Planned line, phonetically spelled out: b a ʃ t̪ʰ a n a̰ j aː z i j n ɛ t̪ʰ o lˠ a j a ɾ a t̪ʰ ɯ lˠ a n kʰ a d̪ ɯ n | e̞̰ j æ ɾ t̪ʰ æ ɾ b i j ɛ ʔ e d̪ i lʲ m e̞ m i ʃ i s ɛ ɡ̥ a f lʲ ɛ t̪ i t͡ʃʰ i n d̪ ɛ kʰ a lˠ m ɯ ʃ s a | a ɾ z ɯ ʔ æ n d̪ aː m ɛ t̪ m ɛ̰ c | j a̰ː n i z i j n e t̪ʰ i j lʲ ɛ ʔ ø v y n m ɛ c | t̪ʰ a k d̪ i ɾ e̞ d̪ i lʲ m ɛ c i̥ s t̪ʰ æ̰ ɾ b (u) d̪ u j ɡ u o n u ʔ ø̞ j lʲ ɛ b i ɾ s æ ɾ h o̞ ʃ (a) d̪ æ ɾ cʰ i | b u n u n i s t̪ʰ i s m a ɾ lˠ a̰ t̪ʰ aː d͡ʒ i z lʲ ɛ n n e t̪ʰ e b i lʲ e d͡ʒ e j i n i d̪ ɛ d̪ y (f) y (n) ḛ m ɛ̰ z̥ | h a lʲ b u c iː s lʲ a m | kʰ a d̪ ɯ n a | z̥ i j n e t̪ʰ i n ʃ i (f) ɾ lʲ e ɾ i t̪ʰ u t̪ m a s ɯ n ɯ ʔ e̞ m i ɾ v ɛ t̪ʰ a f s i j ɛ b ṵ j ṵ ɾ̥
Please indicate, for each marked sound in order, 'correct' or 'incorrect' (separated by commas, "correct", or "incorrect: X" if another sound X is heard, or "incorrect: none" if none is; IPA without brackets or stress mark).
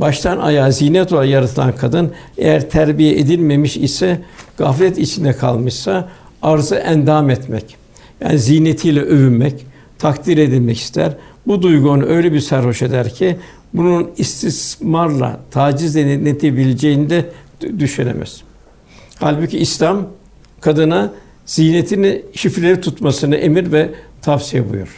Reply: correct, incorrect: e, incorrect: ʃ, correct, correct